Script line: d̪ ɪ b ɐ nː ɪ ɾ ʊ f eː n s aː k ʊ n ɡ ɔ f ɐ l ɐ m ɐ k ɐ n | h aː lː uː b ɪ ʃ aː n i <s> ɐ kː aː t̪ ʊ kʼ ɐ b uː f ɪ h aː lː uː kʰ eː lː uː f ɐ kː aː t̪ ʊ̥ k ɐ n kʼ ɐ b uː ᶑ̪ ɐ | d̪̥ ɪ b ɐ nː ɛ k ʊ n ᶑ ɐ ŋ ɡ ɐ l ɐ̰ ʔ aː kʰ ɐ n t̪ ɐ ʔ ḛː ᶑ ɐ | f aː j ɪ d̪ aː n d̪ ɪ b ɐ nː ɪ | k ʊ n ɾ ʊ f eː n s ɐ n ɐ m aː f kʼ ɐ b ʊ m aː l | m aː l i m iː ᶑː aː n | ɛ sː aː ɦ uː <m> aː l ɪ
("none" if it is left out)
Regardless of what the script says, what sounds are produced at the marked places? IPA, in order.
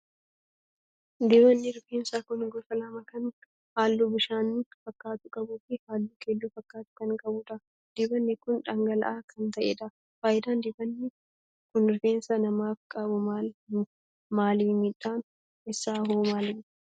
f, m

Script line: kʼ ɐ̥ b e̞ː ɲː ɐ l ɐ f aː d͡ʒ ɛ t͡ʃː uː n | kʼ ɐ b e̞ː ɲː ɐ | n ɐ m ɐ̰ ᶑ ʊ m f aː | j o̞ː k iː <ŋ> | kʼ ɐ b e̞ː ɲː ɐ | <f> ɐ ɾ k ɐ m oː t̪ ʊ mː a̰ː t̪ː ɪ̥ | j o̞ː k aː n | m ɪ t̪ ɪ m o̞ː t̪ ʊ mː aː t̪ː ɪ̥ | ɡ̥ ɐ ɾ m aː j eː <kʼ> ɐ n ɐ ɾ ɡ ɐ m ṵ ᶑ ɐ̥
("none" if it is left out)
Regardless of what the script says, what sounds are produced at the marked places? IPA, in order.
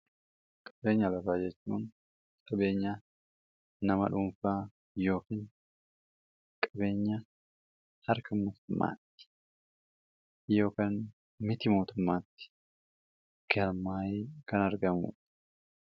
n, h, k

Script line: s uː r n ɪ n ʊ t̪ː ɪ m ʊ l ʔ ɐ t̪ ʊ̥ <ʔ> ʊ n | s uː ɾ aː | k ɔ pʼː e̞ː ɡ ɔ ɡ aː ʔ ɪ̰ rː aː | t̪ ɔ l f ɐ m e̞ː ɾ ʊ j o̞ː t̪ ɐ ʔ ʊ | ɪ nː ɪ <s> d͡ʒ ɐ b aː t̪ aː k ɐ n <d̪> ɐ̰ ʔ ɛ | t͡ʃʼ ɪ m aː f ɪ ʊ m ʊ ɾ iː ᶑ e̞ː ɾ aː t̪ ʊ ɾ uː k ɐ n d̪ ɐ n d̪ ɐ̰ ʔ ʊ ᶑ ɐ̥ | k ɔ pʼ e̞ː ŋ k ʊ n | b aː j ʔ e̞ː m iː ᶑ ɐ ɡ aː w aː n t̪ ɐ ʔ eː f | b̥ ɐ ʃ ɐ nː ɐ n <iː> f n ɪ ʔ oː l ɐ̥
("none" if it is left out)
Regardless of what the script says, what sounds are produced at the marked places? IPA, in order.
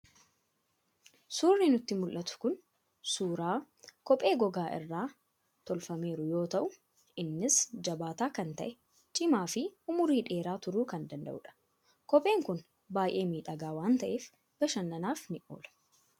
k, s, t̪, aː

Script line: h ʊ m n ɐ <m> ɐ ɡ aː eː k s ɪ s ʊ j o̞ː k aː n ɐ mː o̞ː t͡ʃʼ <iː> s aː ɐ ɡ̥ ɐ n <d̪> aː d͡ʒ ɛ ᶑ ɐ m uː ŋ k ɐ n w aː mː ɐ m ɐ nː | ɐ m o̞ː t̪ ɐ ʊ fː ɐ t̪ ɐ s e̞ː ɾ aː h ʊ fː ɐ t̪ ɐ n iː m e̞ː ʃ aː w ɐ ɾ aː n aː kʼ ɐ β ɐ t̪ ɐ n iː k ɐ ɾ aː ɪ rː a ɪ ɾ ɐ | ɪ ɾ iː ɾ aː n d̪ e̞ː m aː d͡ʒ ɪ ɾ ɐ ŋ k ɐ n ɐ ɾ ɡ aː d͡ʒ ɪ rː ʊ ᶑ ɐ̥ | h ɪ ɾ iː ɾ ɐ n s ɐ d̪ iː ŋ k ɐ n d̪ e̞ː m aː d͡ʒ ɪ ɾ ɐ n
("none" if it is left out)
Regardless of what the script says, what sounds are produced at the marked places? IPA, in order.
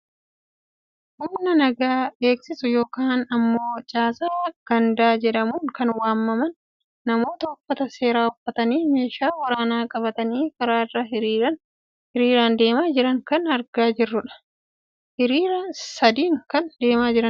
n, aː, d̪

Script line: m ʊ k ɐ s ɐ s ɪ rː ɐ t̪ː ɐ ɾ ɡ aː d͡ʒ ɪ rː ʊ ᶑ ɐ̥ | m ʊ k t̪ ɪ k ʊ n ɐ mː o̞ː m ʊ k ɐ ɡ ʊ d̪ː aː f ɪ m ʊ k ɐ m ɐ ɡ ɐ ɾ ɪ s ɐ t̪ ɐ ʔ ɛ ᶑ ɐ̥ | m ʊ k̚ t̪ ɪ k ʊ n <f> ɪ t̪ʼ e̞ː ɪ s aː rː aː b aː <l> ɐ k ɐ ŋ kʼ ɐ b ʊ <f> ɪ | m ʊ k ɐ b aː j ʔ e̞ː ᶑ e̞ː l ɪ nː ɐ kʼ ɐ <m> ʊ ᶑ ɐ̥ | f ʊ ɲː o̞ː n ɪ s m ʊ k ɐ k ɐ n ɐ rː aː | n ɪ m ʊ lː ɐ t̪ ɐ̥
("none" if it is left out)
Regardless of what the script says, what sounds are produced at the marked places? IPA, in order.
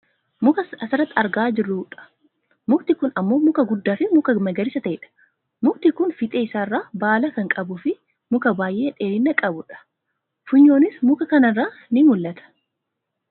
f, l, f, b

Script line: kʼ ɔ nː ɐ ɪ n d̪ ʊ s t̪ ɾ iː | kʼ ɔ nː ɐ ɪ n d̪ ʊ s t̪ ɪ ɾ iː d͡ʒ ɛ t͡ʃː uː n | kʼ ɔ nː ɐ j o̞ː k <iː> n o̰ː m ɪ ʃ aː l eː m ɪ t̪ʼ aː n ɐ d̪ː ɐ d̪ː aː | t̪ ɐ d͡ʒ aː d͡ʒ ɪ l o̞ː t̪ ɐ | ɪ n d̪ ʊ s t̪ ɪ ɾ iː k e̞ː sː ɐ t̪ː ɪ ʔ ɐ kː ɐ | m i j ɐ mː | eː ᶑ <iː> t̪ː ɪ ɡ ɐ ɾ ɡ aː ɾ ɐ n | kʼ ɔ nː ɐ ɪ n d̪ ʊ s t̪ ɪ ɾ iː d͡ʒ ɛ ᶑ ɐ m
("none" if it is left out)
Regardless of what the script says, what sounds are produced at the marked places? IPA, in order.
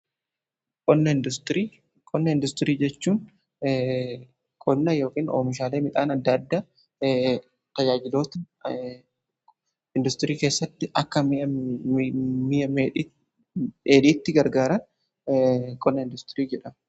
iː, iː

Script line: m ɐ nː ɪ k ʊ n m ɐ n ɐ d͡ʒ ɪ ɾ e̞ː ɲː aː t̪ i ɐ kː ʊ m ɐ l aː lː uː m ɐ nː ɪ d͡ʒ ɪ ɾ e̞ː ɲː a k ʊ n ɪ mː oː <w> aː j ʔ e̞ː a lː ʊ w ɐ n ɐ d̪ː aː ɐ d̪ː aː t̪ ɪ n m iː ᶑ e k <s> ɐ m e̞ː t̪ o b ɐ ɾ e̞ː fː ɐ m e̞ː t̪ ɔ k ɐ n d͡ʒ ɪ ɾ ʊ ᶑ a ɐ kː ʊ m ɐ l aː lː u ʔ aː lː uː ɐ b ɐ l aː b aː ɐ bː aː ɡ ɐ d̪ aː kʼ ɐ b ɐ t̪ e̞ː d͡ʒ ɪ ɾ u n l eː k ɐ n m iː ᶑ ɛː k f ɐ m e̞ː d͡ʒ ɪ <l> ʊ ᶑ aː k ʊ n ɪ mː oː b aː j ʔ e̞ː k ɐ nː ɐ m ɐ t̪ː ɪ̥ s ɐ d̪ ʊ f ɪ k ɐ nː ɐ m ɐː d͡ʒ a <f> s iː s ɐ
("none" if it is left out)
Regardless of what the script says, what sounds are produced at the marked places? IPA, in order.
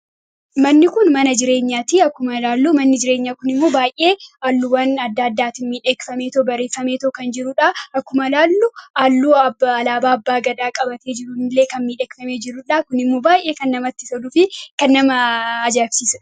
b, f, ɾ, f

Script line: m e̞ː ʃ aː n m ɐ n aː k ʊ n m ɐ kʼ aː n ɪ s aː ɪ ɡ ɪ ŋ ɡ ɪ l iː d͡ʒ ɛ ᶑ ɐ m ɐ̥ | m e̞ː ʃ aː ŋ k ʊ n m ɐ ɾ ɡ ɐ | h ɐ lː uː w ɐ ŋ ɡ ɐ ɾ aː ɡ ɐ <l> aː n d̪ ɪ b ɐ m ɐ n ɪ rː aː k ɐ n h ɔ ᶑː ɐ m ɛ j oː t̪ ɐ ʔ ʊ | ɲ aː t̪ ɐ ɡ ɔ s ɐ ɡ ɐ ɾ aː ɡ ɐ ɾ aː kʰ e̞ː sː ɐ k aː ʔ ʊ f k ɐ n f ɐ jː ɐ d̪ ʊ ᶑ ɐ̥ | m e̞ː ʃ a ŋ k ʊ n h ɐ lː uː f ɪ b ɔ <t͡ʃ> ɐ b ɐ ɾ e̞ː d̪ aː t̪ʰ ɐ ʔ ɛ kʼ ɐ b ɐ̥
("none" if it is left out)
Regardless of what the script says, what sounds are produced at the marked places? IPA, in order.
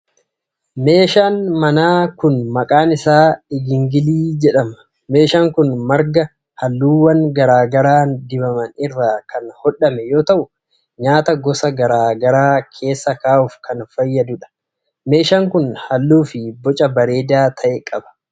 ɾ, t͡ʃʼ

